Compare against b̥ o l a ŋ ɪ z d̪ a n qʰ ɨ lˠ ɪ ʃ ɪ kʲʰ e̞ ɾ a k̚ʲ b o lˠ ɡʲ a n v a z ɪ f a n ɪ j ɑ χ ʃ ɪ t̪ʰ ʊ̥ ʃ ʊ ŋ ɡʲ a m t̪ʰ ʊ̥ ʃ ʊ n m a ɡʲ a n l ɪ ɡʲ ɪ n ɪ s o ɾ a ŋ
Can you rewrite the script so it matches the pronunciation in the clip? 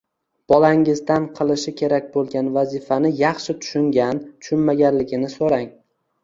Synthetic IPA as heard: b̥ ɒ l a ŋ ɪ z d̪ a n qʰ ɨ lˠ ɪ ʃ ɪ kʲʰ e̞ ɾ a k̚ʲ b o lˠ ɡʲ a n v a z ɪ f a n ɪ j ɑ χ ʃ ɪ t̪ʰ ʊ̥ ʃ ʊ ŋ ɡʲ a n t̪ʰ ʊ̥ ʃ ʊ n m a ɡʲ a n l ɪ ɡʲ ɪ n ɪ s o ɾ a ŋ